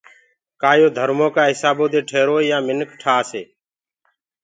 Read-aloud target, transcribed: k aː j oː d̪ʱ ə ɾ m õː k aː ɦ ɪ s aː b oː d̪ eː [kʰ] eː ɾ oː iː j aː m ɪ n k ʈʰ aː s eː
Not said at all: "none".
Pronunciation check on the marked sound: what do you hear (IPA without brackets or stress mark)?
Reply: ʈʰ